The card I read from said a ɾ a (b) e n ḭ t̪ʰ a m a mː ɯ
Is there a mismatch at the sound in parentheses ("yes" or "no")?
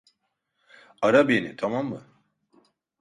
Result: no